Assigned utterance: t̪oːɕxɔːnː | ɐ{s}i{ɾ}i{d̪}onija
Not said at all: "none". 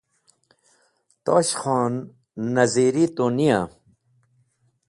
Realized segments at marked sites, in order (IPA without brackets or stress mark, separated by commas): z, ɾ, t̪